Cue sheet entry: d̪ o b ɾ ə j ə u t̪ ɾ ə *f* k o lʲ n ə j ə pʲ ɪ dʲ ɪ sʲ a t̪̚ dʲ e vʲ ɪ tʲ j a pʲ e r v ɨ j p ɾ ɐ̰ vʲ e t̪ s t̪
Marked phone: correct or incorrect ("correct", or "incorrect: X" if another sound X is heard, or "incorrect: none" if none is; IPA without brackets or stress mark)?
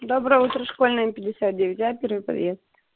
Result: incorrect: ʂ